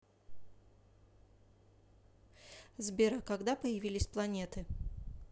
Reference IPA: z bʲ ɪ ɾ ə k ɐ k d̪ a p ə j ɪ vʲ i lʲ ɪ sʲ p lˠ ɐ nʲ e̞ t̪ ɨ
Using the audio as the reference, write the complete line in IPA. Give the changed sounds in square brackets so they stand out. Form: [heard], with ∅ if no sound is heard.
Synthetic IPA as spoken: z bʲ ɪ ɾ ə k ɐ [ɡ] d̪ a p ə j ɪ vʲ i lʲ ɪ sʲ p lˠ ɐ nʲ e̞ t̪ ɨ